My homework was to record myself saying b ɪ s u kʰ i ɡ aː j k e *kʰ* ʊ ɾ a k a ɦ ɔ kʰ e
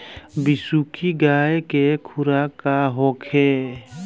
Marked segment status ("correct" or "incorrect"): correct